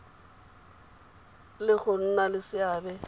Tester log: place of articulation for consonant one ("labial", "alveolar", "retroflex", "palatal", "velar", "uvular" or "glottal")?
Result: alveolar